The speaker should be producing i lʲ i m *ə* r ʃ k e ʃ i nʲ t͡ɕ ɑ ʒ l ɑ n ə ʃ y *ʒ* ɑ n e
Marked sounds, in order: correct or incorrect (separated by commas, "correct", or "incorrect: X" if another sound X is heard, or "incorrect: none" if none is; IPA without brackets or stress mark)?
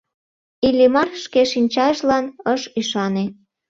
incorrect: ɑ, incorrect: ʃ